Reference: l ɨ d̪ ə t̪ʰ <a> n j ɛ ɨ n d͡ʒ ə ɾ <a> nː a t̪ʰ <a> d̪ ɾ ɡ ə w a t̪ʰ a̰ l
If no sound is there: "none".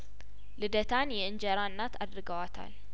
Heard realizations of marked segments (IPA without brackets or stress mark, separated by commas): a, a, a